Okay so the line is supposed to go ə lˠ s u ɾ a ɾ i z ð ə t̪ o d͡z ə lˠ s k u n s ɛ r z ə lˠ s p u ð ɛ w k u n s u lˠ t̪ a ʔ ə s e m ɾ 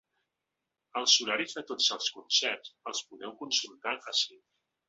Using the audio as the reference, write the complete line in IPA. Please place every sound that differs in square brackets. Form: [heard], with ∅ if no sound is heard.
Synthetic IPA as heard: ə lˠ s u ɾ a ɾ i z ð ə t̪ o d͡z ə lˠ s k u n s ɛ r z ə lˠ s p u ð ɛ w k u n s u lˠ t̪ a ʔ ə s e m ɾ